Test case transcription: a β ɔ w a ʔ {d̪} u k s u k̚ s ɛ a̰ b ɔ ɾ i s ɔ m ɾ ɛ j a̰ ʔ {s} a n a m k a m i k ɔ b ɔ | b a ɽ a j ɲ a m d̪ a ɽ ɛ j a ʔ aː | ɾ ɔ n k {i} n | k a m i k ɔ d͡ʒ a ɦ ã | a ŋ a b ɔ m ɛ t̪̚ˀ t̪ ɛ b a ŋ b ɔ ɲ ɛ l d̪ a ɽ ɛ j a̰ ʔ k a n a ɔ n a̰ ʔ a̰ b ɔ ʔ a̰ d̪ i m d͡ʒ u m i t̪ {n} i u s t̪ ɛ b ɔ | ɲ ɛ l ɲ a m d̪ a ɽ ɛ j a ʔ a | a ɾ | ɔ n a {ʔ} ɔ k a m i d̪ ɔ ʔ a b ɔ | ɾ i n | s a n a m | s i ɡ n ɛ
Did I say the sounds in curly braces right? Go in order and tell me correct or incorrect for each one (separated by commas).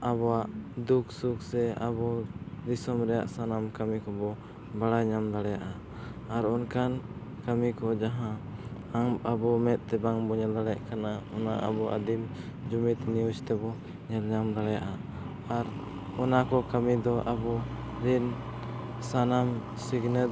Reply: correct, correct, incorrect, correct, incorrect